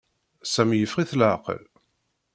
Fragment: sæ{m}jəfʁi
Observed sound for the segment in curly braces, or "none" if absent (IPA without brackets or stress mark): m